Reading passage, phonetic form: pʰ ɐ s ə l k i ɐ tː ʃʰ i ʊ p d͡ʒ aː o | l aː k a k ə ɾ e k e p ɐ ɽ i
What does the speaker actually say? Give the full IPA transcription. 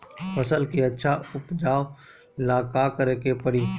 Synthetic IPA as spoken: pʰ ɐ s ə l k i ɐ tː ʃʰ a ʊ p d͡ʒ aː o | l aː k a k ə ɾ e k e p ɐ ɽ i